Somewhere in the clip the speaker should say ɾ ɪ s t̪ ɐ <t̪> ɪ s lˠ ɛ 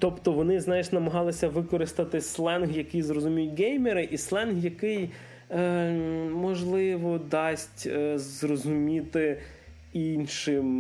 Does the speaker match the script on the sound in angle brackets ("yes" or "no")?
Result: yes